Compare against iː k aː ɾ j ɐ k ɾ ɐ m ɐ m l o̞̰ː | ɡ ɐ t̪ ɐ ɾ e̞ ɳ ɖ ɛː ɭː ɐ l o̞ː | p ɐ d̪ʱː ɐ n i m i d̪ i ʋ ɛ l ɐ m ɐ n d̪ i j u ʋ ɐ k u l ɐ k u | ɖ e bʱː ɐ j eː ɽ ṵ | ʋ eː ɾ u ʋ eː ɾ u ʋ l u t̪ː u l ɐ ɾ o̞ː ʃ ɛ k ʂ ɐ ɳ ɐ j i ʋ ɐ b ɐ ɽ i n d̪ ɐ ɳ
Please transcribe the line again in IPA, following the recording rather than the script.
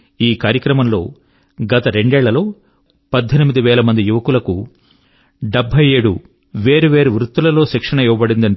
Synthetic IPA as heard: iː k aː ɾ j ɐ k ɾ ɐ m ɐ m l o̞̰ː | ɡ ɐ t̪ ɐ ɾ e̞ ɳ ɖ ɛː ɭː ɐ l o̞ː | p ɐ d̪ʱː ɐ n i m i d̪ i ʋ ɛː l ɐ m ɐ n d̪ i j u ʋ ɐ k u l ɐ k u | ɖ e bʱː ɐ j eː ɽ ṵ | ʋ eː ɾ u ʋ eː ɾ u ʋ ɾ u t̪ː u l ɐ l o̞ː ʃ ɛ k ʂ ɐ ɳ ɐ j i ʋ ɐ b ɐ ɽ i n d̪ ɐ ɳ